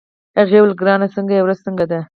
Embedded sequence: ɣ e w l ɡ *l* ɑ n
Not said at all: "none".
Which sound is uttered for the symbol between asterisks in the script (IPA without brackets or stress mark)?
ɾ